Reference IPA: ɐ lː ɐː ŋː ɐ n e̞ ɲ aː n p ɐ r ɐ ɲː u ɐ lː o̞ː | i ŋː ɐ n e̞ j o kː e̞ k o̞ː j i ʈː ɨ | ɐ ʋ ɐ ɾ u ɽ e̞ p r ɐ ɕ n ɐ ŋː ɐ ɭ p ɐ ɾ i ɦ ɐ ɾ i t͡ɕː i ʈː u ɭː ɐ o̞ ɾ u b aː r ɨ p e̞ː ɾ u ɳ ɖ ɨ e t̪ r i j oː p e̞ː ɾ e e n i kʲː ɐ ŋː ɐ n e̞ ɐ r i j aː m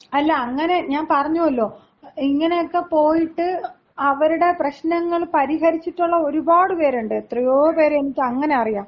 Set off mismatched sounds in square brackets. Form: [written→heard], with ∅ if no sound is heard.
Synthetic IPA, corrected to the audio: ɐ lː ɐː ŋː ɐ n e̞ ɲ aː n p ɐ r ɐ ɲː u ɐ lː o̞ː | i ŋː ɐ n e̞ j o kː e̞ [k→p] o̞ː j i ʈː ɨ | ɐ ʋ ɐ ɾ u ɽ e̞ p r ɐ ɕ n ɐ ŋː ɐ ɭ p ɐ ɾ i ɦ ɐ ɾ i t͡ɕː i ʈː u ɭː ɐ o̞ ɾ u b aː [r→ɽ] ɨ p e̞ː ɾ u ɳ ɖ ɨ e t̪ r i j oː p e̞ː ɾ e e n i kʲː ɐ ŋː ɐ n e̞ ɐ r i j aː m

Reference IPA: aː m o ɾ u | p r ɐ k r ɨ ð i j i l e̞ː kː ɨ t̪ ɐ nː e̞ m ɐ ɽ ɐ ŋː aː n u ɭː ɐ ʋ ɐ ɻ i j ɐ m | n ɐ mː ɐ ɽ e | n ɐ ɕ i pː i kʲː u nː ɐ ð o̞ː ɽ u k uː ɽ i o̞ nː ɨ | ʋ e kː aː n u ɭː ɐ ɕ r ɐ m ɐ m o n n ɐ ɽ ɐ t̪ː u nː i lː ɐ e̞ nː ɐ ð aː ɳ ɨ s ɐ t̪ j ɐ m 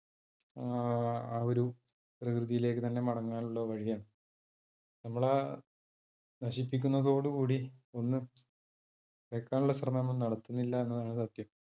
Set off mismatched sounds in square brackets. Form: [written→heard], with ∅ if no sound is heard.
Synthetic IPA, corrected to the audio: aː [m→∅] o ɾ u | p r ɐ k r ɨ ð i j i l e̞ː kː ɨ t̪ ɐ nː e̞ m ɐ ɽ ɐ ŋː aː n u ɭː ɐ ʋ ɐ ɻ i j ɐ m | n ɐ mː ɐ [ɽ→ɭ] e | n ɐ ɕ i pː i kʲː u nː ɐ ð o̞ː ɽ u k uː ɽ i o̞ nː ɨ | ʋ e kː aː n u ɭː ɐ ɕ r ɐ m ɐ m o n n ɐ ɽ ɐ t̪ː u nː i lː ɐ e̞ nː ɐ ð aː ɳ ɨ s ɐ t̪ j ɐ m

